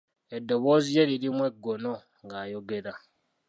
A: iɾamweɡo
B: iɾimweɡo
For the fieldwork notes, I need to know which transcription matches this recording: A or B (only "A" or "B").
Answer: B